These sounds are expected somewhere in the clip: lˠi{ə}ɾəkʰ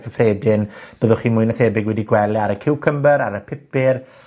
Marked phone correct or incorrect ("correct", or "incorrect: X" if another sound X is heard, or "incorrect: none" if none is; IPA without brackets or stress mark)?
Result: incorrect: a